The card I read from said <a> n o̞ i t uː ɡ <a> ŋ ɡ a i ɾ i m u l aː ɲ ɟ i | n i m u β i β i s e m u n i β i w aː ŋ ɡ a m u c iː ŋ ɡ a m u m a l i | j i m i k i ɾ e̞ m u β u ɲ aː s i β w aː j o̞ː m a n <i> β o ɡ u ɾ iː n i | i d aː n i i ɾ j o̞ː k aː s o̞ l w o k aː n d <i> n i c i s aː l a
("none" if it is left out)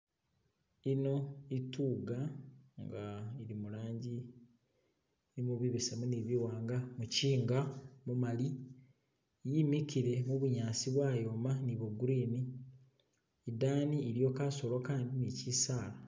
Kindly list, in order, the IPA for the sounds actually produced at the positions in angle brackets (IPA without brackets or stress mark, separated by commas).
i, a, i, i